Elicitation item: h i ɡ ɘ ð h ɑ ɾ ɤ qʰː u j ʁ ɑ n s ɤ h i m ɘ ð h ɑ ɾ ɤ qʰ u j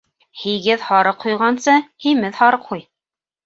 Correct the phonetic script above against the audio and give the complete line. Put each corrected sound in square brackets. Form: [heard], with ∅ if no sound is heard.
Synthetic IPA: h i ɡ ɘ ð h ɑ ɾ ɤ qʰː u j ʁ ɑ n s ɤ h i m ɘ ð h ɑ ɾ ɤ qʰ u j